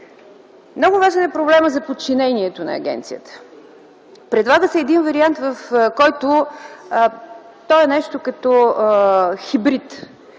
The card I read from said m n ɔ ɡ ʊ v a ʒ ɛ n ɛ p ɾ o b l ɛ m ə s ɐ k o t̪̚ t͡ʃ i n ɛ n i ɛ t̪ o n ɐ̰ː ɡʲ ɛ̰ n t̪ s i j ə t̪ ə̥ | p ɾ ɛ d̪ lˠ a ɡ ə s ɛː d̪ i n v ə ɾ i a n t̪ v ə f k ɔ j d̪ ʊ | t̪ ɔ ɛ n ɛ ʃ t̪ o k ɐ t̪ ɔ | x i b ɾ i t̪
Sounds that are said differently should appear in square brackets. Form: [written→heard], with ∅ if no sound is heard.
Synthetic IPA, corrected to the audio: m n ɔ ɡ ʊ v a ʒ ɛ n ɛ p ɾ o b l ɛ m ə [s→z] ɐ [k→p] o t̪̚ t͡ʃ i n ɛ n i ɛ t̪ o n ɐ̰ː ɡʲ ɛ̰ n t̪ s i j ə t̪ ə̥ | p ɾ ɛ d̪ lˠ a ɡ ə s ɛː d̪ i n v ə ɾ i a n t̪ v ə f k ɔ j [d̪→t̪] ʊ | t̪ ɔ ɛ n ɛ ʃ t̪ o k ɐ t̪ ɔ | x i b ɾ i t̪